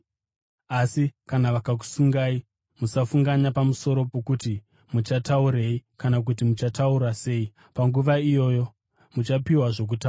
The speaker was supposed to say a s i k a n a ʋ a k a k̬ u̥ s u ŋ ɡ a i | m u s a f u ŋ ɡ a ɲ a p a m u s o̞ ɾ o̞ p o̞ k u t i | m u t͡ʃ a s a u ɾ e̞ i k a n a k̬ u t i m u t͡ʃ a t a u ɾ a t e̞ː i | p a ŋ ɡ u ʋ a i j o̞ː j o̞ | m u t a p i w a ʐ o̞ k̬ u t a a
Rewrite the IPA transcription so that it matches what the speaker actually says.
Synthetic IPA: a s i k a n a ʋ a k a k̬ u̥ s u ŋ ɡ a i | m u s a f u ŋ ɡ a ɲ a p a m u s o̞ ɾ o̞ p o̞ k u t i | m u t͡ʃ a t a u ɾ e̞ i k a n a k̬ u t i m u t͡ʃ a t a u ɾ a s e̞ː i | p a ŋ ɡ u ʋ a i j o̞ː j o̞ | m u t͡ʃ a p i w a ʐ o̞ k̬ u t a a